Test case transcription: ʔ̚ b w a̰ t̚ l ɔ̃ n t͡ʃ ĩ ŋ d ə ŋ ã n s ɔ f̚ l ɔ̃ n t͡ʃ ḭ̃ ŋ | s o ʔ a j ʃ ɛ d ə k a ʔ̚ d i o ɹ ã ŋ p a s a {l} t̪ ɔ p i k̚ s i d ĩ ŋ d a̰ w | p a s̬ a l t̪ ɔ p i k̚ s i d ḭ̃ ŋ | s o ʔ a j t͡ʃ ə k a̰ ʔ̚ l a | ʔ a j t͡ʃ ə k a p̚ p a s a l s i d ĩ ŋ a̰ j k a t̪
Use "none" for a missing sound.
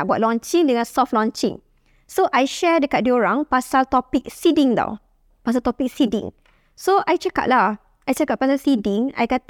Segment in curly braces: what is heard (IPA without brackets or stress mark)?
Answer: l